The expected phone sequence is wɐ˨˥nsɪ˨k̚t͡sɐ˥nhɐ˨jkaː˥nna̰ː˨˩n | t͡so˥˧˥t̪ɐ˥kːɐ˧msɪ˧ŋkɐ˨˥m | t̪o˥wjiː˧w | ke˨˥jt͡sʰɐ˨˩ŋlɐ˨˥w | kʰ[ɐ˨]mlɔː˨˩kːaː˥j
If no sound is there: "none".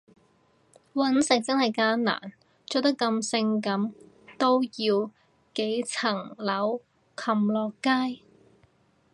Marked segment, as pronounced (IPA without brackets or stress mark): ɐ˨